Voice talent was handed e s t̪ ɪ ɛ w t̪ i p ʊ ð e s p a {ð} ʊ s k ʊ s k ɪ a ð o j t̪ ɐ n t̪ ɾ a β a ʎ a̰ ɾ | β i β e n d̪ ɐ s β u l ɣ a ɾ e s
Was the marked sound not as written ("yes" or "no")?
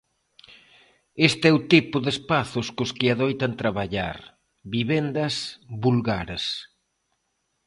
yes